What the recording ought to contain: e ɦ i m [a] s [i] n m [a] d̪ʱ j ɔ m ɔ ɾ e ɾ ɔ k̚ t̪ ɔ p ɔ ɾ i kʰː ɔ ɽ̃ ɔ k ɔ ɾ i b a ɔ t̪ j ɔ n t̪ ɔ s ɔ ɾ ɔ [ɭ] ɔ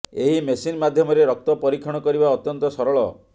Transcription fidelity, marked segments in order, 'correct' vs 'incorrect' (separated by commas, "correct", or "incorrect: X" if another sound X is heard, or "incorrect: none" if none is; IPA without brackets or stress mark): incorrect: e, correct, correct, correct